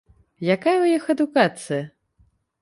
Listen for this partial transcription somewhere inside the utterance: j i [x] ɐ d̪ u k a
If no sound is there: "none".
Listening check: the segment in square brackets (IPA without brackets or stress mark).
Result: x